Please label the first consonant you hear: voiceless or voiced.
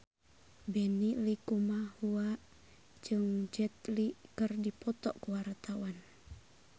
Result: voiced